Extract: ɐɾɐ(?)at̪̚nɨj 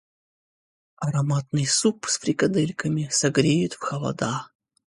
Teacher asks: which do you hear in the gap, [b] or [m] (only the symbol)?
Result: m